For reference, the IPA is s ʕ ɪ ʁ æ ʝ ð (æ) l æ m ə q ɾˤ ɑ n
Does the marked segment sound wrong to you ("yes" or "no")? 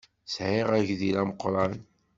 yes